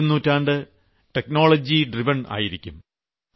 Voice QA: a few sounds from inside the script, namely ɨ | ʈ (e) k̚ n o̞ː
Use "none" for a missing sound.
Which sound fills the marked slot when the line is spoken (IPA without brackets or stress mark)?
e